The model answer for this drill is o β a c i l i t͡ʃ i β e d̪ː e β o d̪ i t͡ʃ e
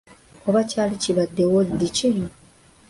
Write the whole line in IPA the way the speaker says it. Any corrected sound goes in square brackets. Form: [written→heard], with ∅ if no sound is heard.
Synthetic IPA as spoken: o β a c [i→a] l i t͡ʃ i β [e→a] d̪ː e [β→w] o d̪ i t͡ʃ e